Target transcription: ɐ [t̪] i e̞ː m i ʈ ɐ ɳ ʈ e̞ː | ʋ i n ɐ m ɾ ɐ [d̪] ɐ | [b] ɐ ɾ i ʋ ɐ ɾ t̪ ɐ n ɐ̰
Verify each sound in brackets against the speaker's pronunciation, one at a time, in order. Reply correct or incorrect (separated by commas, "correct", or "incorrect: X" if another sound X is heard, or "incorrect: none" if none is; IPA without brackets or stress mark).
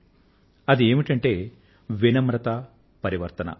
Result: incorrect: d̪, incorrect: t̪, incorrect: p